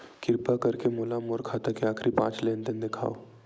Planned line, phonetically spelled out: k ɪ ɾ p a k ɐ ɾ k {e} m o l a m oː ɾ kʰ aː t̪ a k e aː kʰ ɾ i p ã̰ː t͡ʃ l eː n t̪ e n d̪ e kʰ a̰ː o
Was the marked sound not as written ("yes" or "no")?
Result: no